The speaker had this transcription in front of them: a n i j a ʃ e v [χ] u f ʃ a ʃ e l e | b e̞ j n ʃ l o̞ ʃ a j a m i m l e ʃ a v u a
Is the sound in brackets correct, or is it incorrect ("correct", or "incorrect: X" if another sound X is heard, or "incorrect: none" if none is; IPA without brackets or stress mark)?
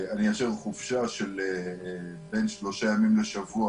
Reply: correct